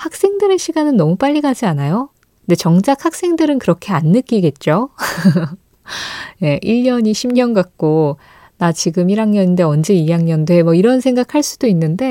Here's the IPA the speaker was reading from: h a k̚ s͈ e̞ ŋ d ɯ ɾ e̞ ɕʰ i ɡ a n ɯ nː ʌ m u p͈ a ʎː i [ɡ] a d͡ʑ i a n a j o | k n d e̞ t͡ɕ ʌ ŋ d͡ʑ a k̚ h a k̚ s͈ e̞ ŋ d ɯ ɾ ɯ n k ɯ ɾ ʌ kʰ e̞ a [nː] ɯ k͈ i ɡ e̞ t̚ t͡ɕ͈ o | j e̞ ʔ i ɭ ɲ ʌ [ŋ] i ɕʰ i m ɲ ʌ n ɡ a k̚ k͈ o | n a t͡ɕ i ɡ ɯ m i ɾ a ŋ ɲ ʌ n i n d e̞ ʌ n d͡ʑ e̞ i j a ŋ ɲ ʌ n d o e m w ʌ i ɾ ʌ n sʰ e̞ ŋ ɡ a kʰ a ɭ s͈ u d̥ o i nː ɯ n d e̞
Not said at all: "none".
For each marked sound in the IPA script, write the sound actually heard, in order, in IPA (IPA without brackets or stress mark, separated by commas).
ɡ, nː, ɲ